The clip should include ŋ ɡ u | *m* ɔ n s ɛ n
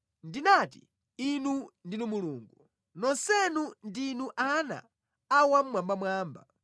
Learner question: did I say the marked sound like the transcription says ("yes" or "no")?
no